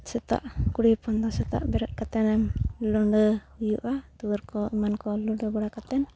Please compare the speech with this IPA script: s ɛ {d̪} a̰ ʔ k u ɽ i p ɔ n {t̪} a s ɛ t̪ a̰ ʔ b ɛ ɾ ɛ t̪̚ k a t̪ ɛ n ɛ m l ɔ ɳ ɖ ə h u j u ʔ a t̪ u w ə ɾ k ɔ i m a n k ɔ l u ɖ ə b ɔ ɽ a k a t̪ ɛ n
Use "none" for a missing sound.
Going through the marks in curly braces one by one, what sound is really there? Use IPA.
t̪, d̪

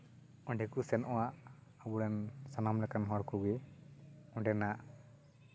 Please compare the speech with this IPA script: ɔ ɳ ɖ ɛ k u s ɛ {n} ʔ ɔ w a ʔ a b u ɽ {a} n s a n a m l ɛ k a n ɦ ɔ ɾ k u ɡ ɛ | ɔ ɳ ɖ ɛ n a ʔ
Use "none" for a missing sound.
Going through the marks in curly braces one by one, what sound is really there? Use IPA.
n, ɛ

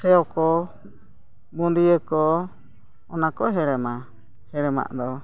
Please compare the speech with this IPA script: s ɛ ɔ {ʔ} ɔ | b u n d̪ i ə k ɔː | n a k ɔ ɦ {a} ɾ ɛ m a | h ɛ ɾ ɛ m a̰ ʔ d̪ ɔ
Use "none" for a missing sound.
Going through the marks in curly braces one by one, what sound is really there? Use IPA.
k, ɛ

